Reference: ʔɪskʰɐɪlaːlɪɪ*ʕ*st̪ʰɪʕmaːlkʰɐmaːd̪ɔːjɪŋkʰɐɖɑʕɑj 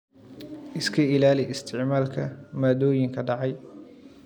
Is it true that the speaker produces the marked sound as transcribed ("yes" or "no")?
no